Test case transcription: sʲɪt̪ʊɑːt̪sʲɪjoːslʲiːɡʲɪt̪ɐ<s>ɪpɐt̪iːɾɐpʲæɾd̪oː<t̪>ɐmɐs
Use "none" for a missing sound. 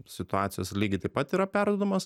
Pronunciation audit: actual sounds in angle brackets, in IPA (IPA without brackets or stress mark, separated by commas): none, d̪